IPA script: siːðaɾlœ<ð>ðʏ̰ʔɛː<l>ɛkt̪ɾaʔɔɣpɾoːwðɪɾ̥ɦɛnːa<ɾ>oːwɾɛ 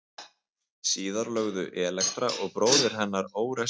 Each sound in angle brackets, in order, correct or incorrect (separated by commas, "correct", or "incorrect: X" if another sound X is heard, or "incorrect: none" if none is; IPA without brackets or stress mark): incorrect: ɣ, correct, correct